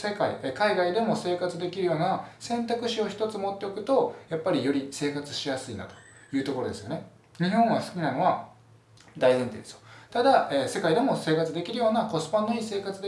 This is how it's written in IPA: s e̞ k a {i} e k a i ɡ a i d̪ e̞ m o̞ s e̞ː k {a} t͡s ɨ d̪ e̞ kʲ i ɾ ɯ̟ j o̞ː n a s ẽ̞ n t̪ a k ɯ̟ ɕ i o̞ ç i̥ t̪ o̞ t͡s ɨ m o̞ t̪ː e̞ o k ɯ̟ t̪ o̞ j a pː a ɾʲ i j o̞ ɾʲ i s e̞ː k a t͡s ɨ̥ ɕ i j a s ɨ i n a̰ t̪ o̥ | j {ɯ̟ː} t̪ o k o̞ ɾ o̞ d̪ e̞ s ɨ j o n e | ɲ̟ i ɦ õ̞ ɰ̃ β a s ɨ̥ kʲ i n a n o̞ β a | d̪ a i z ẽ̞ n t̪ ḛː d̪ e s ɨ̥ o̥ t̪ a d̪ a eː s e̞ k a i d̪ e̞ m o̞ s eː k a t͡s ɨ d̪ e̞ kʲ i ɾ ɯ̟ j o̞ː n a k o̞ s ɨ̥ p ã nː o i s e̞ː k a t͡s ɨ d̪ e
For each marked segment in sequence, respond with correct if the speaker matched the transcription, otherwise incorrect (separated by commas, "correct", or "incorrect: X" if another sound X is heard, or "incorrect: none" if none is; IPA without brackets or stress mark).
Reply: correct, correct, correct